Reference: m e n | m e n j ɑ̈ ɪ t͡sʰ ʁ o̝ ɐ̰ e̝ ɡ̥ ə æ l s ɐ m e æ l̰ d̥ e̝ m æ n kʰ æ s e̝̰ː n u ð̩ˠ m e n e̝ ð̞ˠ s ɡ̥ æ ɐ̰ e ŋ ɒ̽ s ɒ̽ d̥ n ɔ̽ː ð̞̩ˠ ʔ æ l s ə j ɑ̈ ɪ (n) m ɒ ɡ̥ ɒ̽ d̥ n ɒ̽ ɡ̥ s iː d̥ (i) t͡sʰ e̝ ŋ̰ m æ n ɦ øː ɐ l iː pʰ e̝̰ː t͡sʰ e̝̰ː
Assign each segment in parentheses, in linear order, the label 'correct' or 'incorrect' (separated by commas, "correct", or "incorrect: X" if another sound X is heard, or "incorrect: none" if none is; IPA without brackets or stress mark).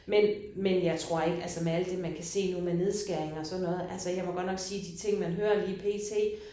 incorrect: none, correct